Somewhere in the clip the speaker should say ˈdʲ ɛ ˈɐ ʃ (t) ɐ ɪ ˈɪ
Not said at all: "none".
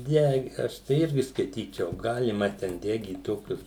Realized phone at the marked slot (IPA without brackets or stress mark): t